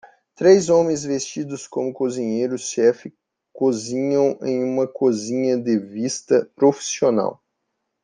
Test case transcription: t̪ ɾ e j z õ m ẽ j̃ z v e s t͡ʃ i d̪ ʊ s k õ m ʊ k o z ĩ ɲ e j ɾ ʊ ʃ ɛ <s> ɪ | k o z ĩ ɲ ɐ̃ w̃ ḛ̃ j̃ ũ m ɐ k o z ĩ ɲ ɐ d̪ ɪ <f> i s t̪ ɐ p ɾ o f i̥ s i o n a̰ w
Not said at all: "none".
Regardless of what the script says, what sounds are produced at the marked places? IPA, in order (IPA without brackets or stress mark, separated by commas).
f, v